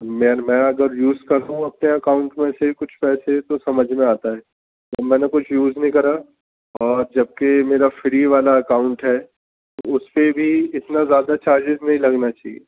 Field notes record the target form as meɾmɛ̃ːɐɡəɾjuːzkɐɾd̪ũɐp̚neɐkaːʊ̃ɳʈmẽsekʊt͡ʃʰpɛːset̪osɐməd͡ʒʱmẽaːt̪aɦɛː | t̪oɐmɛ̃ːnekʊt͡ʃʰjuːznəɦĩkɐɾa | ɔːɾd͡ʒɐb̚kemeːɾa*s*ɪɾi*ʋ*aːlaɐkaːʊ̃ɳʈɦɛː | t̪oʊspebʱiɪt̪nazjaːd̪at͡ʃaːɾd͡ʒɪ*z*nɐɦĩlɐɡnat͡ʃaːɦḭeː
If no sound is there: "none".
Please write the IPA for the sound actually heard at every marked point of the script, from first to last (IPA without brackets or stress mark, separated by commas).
f, ʋ, z